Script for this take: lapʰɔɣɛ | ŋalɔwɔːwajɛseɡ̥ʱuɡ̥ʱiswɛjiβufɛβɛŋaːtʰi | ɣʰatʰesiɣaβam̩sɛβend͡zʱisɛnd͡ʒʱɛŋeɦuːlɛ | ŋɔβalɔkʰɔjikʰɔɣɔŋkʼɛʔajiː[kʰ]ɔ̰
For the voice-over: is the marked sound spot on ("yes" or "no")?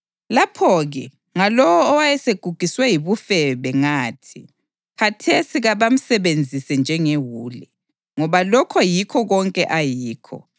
yes